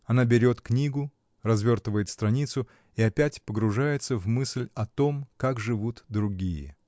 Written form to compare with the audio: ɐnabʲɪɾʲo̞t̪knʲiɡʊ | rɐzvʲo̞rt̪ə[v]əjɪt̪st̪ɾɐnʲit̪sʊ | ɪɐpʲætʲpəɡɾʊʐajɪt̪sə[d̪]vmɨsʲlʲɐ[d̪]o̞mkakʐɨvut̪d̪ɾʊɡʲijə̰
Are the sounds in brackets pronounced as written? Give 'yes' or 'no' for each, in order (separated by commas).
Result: yes, no, no